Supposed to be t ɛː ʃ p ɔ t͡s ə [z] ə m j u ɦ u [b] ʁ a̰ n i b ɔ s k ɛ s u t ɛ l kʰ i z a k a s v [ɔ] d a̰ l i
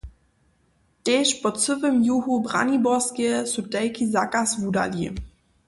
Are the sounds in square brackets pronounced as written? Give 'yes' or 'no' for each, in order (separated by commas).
no, yes, no